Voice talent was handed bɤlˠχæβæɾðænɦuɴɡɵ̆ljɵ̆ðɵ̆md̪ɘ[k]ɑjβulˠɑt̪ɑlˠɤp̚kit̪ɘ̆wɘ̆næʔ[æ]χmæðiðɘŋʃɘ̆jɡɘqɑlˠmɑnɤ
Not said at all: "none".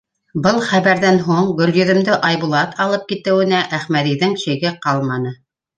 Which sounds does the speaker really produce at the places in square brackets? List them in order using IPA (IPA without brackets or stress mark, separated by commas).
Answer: ʔ, æ